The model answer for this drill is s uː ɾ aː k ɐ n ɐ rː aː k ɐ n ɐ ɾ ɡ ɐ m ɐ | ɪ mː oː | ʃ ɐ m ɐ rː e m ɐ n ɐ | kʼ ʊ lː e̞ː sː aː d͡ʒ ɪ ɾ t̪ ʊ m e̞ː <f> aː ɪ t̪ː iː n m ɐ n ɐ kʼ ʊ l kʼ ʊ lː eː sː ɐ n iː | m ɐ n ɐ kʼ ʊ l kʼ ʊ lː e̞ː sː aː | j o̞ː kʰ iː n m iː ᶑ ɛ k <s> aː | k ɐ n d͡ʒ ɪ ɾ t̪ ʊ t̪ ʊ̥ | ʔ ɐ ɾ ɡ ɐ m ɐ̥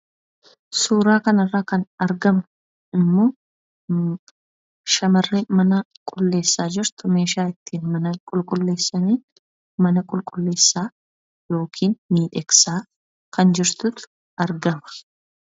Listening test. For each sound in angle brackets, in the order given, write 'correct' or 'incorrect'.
incorrect: ʃ, correct

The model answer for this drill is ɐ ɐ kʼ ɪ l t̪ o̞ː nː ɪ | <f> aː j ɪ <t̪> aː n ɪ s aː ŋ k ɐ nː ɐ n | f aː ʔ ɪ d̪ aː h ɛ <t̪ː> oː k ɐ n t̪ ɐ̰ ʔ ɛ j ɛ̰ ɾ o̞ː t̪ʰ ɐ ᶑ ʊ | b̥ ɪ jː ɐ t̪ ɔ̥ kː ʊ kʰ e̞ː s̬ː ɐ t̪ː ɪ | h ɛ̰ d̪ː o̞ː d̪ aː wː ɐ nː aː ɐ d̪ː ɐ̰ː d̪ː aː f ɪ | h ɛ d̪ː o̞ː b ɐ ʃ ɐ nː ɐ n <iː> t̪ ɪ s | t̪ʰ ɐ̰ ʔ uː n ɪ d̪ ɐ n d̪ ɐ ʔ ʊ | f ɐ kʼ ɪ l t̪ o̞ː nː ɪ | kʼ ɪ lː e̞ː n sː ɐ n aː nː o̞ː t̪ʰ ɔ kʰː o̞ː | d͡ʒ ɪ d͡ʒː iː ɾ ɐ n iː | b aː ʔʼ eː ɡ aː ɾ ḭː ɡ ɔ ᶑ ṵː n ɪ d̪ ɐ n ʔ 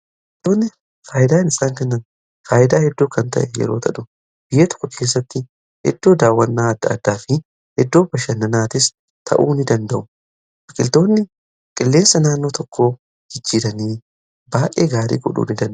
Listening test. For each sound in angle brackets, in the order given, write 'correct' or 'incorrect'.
correct, incorrect: d̪, incorrect: d̪ː, incorrect: aː

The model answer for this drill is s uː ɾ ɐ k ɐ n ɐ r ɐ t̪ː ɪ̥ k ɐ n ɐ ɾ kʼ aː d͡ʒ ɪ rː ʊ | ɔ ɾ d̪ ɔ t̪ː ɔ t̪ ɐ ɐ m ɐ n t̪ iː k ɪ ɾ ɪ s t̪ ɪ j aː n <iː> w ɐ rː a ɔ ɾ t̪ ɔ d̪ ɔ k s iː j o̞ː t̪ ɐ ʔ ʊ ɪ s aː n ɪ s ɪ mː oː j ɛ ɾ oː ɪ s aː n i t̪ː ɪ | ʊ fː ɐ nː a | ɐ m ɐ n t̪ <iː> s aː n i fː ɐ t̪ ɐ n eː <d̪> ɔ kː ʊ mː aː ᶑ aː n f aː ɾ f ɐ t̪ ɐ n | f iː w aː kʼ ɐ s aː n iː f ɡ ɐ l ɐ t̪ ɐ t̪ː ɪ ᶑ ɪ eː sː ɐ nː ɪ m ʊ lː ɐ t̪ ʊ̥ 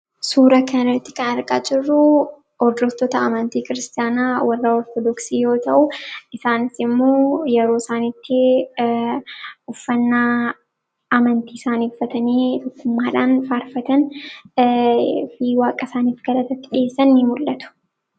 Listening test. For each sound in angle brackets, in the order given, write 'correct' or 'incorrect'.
incorrect: aː, correct, incorrect: t̪

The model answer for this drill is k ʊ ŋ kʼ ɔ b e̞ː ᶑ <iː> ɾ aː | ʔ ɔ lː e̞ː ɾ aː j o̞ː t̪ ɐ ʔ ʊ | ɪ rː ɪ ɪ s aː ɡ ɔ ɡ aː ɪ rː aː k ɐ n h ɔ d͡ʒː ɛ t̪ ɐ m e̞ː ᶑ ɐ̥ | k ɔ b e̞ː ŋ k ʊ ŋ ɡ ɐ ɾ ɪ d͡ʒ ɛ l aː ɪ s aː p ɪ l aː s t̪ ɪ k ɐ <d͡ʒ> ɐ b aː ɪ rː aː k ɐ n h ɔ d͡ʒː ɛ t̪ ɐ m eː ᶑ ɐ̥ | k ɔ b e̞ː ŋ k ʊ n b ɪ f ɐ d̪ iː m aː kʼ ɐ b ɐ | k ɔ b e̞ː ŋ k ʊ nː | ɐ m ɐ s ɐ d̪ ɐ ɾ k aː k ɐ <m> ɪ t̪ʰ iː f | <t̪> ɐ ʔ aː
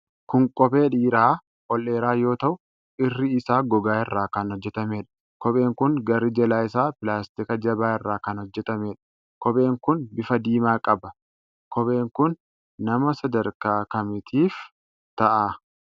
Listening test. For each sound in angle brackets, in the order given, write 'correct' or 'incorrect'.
correct, correct, correct, correct

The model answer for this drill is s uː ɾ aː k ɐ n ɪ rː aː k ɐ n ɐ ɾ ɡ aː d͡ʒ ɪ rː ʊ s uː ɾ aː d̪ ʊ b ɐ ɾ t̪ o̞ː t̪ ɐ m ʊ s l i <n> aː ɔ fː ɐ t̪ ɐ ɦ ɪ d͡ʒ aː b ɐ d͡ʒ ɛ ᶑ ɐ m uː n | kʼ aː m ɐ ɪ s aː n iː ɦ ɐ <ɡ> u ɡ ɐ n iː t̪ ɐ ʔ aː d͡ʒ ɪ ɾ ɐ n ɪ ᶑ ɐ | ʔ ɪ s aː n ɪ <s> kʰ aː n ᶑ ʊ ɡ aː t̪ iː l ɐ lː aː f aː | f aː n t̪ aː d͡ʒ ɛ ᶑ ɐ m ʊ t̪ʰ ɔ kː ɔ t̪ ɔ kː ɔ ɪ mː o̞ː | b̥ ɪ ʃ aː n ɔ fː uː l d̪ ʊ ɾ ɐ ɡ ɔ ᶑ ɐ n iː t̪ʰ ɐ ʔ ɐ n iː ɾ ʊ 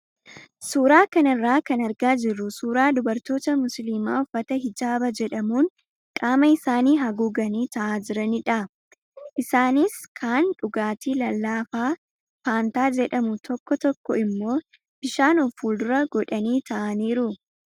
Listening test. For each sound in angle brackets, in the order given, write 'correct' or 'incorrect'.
incorrect: m, correct, correct

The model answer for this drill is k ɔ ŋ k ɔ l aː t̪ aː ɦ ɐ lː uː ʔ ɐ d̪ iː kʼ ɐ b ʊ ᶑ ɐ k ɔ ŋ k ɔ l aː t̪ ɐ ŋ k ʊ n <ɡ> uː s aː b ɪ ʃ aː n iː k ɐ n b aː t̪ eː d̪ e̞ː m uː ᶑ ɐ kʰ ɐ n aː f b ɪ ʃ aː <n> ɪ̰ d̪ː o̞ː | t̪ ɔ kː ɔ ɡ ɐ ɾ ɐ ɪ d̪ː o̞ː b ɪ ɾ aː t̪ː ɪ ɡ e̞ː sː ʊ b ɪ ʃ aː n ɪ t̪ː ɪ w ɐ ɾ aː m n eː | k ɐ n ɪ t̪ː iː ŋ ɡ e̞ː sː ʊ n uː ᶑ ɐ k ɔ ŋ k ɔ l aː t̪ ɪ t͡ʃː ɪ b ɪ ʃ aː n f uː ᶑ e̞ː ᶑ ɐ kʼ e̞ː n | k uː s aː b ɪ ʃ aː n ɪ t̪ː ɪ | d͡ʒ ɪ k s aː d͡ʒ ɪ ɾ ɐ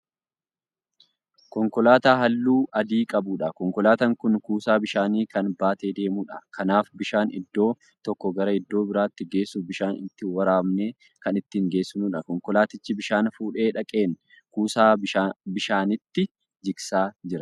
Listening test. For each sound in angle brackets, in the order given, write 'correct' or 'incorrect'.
incorrect: k, correct

